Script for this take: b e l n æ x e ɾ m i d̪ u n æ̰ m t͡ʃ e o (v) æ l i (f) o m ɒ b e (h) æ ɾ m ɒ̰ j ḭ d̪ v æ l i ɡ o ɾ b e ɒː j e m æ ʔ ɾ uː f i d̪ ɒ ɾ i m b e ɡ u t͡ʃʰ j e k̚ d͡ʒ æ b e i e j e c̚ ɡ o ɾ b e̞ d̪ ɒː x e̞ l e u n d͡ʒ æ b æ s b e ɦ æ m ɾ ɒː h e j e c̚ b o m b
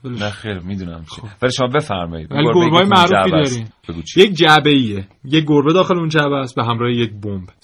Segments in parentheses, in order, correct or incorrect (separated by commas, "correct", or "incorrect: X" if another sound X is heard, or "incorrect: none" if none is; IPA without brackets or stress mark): correct, incorrect: ʃ, incorrect: f